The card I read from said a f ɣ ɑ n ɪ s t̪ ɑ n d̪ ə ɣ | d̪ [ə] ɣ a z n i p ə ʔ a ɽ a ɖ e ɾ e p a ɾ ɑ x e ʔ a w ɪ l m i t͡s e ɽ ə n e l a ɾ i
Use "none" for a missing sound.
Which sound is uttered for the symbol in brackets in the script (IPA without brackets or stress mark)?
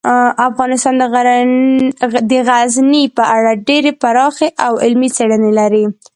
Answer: ə